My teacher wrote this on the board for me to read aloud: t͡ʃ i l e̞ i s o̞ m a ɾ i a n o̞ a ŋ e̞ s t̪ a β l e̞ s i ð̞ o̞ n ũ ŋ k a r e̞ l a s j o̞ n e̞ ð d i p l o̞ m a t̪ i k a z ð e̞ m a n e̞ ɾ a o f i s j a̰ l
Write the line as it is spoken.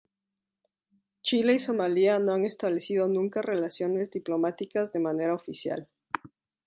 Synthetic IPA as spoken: t͡ʃ i l e̞ i s o̞ m a l i a n o̞ a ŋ e̞ s t̪ a β l e̞ s i ð̞ o̞ n ũ ŋ k a r e̞ l a s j o̞ n e̞ z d i p l o̞ m a t̪ i k a z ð e̞ m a n e̞ ɾ a o f i s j a̰ l